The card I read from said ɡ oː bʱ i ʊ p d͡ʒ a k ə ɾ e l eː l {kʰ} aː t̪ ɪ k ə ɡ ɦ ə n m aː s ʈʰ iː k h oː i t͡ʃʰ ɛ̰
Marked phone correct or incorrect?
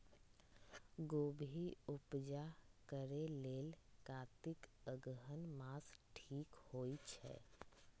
incorrect